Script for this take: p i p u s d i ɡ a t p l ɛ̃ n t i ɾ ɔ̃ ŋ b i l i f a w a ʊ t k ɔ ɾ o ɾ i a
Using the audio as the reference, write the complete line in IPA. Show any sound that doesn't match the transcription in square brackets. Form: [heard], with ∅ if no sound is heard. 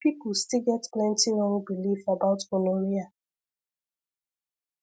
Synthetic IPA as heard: p i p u s [t] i ɡ [ɛ] t p l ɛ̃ n t i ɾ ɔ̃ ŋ b i l i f a [b] a ʊ t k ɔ [l] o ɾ i a

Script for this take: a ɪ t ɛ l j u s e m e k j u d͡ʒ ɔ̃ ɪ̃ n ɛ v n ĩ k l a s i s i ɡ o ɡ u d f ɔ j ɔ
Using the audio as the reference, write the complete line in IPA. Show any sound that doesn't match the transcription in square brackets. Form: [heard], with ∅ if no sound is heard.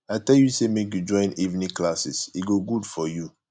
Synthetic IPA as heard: a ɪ t ɛ l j u s e m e k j u d͡ʒ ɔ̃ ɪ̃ n [i] v n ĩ k l a s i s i ɡ o ɡ u d f ɔ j [u]

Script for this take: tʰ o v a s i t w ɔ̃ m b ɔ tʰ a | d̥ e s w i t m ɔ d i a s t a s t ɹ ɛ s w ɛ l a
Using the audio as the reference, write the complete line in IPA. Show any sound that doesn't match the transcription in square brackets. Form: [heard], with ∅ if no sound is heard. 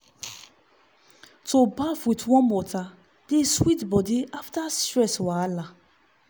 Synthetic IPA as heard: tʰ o [b] a [f] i t w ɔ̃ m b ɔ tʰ a | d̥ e s w i t [b] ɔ d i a [f] t a s t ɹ ɛ s w [a] l a

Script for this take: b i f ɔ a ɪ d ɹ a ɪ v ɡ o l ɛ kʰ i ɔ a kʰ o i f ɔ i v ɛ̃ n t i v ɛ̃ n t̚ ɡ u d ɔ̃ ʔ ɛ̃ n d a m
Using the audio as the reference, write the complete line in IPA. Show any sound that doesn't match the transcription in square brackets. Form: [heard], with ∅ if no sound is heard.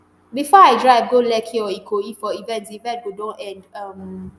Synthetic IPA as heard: b i f ɔ a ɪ d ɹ a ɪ v ɡ o l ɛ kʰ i ɔ [i] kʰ o i f ɔ i v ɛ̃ n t i v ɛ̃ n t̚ ɡ [o] d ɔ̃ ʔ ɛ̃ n d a m

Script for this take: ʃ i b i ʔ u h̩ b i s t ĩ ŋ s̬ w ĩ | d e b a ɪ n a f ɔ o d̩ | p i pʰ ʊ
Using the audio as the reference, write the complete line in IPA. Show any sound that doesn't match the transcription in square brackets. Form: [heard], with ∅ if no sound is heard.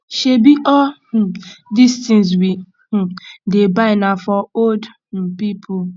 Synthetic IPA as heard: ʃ [e] b i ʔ [ɔ] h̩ [d] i s t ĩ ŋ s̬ w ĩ | d e b a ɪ n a f ɔ o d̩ | p i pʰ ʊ

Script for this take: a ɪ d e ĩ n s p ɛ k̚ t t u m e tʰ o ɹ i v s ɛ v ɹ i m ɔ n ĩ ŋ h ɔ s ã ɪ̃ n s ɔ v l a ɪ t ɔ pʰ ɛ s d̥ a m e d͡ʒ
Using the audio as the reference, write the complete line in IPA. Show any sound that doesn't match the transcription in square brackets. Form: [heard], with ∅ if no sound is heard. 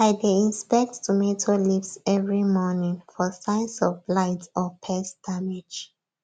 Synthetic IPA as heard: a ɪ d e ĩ n s p ɛ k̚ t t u m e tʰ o [l] i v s ɛ v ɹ i m ɔ n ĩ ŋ [f] ɔ s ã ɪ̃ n s ɔ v l a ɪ t ɔ pʰ ɛ s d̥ a m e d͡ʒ

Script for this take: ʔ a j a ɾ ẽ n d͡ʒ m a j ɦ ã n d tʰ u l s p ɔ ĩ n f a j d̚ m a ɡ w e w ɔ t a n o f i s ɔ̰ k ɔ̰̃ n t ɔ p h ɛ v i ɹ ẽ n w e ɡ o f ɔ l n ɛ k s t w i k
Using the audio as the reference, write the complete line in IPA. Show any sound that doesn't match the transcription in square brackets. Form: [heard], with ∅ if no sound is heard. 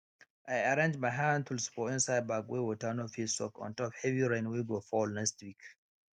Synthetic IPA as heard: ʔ a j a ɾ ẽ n d͡ʒ m a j ɦ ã n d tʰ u l s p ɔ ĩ n [s] a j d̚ [b] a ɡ w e w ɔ t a n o f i s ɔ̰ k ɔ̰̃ n t ɔ p h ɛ v i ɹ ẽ n w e ɡ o f ɔ l n ɛ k s t w i k

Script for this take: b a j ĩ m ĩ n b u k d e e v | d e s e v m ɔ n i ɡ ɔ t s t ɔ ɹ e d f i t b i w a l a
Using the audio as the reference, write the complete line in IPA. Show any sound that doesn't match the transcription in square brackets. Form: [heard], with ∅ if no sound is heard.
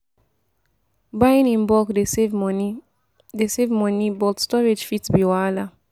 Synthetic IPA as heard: b a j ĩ [n] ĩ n b [ɔ] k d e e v | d e s e v m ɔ n i [b] ɔ t s t ɔ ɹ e [d͡ʒ] f i t b i w a l a

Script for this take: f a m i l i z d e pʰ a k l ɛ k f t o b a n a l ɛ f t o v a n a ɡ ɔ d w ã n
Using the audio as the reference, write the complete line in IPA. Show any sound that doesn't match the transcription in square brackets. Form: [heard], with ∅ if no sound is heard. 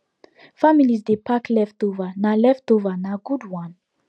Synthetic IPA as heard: f a m i l i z d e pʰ a k l ɛ [∅] f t o [v] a n a l ɛ f t o v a n a ɡ [u] d w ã n

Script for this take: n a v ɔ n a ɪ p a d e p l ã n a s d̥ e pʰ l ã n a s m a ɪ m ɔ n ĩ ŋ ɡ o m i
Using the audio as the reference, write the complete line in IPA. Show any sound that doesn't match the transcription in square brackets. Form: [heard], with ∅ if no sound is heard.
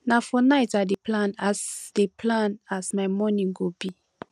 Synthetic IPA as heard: n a [f] ɔ n a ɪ [t] a d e p l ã n a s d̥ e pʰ l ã n a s m a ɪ m ɔ n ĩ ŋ ɡ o [b] i

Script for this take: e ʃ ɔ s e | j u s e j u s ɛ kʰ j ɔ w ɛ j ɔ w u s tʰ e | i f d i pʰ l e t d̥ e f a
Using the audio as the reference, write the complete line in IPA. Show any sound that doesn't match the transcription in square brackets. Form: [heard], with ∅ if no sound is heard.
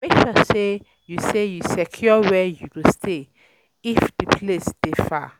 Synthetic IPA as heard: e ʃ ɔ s e | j u s e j u s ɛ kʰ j ɔ w ɛ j [u] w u s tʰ e | i f d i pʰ l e [s] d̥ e f a

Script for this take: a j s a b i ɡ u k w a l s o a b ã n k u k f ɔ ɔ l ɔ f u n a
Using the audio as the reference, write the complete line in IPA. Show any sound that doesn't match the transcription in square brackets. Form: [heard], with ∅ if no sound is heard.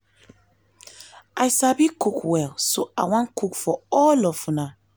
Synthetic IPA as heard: a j s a b i [k] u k w [ɛ] l s o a [w] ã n k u k f ɔ ɔ l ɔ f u n a

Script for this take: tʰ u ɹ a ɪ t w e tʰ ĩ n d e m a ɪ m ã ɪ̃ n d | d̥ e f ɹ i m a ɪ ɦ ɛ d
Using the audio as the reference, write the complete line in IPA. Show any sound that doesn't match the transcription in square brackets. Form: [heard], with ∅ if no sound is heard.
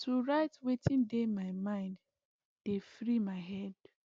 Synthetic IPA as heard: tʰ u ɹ a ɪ t w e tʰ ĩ n d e m a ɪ m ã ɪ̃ n d | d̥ e f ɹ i m a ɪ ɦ ɛ d

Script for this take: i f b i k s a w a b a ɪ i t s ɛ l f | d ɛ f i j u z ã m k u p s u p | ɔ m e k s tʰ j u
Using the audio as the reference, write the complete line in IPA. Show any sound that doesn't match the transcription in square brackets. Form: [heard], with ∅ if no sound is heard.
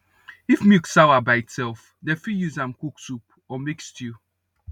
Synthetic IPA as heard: i f [m] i k s a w a b a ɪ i t s ɛ l f | d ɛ f i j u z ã m k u [k] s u p | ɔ m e k s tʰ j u

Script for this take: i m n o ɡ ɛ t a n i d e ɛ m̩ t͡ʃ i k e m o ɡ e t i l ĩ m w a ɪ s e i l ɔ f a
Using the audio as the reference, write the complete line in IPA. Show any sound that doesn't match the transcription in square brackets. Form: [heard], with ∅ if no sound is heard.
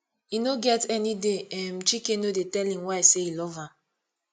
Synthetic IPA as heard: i [∅] n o ɡ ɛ t [ɛ] n i d e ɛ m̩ t͡ʃ i k e [n] o [d] e t [ɛ] l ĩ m w a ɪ s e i l ɔ [v] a

